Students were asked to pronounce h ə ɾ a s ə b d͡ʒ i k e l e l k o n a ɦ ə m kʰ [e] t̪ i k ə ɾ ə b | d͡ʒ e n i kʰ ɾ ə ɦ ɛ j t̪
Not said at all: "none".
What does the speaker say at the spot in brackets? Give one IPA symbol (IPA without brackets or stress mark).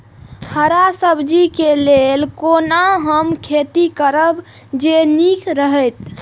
e